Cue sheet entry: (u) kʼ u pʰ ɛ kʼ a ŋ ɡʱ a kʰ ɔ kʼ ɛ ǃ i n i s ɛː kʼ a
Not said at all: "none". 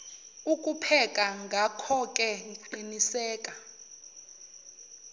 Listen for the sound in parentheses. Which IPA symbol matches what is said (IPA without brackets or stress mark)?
u